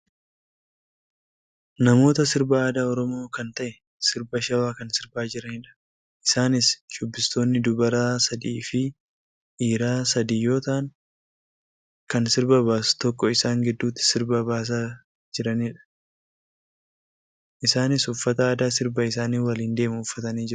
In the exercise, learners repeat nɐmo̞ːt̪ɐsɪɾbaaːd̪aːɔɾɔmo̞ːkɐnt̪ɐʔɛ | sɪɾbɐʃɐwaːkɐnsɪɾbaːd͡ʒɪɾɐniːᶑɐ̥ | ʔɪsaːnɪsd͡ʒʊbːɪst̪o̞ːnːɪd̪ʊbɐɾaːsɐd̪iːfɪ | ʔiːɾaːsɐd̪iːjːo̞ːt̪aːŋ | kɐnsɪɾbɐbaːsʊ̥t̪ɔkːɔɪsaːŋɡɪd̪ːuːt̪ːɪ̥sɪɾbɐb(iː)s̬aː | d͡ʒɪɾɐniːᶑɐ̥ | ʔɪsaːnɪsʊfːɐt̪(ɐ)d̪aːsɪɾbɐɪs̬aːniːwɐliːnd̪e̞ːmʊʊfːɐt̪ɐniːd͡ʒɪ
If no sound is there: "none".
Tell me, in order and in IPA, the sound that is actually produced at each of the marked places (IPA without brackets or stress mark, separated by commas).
aː, ɐː